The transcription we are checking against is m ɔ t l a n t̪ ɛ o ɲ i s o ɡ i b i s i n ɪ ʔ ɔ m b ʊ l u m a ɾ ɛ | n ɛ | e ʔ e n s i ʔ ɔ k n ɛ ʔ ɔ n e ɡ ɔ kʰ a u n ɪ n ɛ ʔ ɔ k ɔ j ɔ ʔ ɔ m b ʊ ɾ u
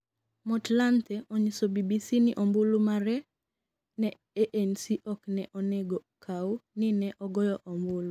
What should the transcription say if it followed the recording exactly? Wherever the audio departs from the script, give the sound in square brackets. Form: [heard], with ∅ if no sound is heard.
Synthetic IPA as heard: m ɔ t l a n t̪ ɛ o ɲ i s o [b] i b i s i n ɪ ʔ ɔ m b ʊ l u m a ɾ ɛ | n ɛ | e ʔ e n s i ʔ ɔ k n ɛ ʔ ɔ n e ɡ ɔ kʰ a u n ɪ n ɛ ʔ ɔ [ɡ] ɔ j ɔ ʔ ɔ m b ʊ [l] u